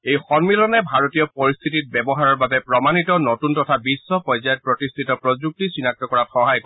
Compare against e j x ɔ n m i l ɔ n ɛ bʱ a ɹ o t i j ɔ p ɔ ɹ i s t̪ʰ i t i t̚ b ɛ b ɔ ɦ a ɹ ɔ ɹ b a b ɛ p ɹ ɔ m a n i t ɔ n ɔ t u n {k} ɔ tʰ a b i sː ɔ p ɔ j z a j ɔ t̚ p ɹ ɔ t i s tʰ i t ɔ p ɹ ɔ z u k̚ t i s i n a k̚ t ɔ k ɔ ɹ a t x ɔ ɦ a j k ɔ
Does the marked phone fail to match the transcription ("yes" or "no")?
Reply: yes